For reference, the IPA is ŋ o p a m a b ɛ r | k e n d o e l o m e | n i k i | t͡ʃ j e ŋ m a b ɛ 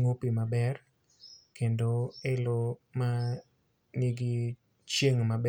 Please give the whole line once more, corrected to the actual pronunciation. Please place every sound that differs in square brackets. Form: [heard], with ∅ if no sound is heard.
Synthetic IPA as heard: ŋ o p [i] m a b ɛ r | k e n d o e l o m [a] | n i [ɡ] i | t͡ʃ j e ŋ m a b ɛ